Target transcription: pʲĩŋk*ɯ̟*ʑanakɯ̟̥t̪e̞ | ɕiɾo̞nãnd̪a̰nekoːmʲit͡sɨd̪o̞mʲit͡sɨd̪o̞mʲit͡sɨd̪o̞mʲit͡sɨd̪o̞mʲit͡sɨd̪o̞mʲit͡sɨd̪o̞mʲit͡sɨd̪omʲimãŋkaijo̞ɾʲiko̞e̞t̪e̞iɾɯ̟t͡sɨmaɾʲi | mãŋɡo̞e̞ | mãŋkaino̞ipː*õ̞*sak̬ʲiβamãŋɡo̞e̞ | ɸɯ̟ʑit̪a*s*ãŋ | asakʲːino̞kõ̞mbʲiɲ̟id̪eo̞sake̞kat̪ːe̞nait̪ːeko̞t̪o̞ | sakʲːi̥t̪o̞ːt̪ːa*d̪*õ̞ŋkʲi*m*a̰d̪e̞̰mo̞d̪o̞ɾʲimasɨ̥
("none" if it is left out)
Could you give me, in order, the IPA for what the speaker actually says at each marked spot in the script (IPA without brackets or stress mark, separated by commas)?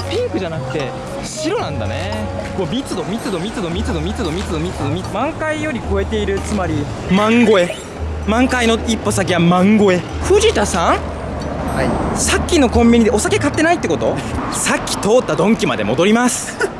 ɯ̟, o̞, s, d̪, m